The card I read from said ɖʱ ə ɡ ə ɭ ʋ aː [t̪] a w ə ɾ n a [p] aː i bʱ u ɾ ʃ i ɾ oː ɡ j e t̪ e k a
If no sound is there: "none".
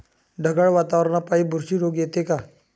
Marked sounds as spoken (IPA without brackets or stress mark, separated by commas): t̪, p